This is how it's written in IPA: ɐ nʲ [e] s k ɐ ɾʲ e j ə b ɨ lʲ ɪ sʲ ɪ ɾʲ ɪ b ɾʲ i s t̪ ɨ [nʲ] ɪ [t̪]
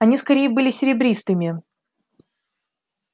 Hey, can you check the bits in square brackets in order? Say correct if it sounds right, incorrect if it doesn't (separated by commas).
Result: incorrect, incorrect, incorrect